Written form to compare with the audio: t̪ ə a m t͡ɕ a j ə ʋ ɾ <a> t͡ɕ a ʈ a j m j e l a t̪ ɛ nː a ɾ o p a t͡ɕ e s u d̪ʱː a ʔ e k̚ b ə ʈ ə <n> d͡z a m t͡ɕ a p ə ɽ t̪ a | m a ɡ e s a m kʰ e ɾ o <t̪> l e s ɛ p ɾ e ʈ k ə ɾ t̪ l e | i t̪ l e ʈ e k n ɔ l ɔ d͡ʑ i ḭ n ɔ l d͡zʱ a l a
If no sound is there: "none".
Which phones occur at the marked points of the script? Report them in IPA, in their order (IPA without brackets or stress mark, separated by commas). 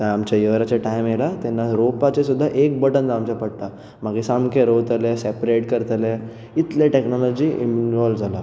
a, n, t̪